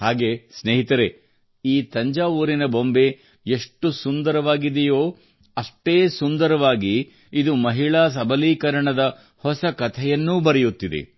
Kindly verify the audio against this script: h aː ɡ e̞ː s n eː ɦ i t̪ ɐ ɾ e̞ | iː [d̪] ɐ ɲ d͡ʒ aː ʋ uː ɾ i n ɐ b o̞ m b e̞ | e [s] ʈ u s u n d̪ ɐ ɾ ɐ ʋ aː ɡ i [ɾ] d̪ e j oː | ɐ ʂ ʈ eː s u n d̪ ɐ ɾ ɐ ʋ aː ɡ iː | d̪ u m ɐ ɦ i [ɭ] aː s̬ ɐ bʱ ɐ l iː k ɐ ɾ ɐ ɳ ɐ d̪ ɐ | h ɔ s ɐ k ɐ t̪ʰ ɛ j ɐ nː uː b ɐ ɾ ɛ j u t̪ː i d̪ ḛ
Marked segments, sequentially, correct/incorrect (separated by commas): incorrect, incorrect, incorrect, correct